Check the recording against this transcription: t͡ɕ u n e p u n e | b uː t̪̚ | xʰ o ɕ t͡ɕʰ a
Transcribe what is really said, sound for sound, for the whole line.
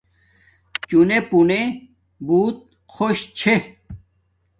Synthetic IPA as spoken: t͡ɕ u n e p u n e | b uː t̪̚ | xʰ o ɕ t͡ɕʰ e